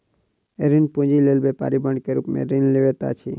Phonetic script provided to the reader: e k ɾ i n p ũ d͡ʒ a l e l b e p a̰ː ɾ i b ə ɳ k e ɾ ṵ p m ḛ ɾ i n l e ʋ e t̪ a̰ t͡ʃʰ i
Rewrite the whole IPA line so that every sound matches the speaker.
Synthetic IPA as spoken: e ɾ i n p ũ d͡ʒ i l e l b e p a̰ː ɾ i b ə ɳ k e ɾ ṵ p m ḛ ɾ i n l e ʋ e t̪ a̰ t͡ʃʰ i

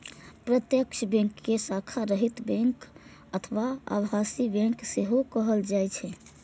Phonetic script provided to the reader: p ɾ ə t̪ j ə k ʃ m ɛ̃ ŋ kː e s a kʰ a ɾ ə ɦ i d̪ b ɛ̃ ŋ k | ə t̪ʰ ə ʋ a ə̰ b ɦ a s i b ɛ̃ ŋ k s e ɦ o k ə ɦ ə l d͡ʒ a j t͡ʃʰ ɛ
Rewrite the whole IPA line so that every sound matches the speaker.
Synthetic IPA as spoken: p ɾ ə t̪ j ə k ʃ b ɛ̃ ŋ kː e s a kʰ a ɾ ə ɦ i t̪ b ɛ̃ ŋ k | ə t̪ʰ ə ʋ a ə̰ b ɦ a s i b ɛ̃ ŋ k s e ɦ o k ə ɦ ə l d͡ʒ a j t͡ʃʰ ɛ

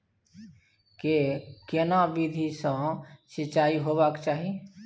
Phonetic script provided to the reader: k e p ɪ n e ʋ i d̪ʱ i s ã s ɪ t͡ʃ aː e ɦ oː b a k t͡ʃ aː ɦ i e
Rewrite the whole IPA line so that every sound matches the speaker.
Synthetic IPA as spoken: k e k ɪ n a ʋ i d̪ʱ i s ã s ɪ t͡ʃ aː i ɦ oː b a k t͡ʃ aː ɦ i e

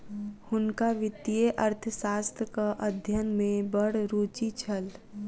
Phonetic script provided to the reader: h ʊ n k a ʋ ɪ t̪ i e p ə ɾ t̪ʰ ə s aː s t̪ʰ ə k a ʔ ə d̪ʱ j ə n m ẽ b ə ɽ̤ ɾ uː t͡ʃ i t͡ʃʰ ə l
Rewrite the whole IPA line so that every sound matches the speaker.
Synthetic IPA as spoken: h ʊ n k a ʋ ɪ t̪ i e ʔ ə ɾ t̪ʰ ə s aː s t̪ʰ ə k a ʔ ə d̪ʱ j ə n m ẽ b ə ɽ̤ ɾ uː t͡ʃ i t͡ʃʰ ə l

